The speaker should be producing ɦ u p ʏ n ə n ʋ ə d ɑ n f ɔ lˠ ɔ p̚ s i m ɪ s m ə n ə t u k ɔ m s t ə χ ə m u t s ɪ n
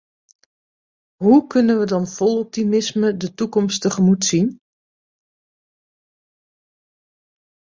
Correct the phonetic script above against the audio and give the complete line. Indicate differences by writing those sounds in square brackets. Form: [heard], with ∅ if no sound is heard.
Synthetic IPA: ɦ u [k] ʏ n ə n ʋ ə d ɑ n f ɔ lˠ ɔ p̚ [t] i m ɪ s m ə [d] ə t u k ɔ m s t ə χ ə m u t s [i] n